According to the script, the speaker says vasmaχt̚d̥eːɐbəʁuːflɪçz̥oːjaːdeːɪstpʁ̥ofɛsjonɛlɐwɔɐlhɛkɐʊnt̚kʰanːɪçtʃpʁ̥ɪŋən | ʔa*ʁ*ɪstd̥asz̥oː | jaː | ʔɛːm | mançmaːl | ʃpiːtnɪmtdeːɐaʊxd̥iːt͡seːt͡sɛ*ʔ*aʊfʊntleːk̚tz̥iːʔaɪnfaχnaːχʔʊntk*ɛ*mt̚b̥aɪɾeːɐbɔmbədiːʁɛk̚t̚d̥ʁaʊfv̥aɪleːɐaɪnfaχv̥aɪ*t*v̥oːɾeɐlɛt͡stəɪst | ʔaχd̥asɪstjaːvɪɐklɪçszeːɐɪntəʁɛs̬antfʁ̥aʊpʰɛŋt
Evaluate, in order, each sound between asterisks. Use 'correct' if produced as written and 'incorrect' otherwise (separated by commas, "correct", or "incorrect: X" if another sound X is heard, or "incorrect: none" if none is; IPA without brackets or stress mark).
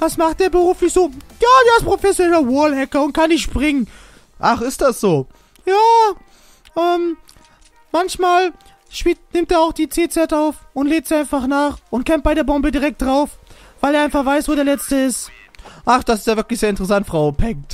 incorrect: χ, incorrect: t, correct, incorrect: s